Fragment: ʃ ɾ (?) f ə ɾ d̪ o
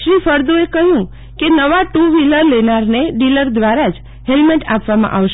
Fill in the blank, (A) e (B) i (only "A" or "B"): B